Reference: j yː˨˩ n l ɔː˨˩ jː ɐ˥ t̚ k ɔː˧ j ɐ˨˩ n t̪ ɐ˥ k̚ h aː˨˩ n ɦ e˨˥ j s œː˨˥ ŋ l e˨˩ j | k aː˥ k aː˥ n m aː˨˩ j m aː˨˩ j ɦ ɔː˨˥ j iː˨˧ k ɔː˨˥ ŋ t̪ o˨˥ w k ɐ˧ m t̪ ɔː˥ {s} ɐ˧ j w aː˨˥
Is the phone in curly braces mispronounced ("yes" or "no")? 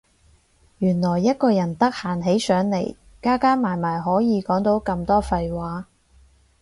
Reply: yes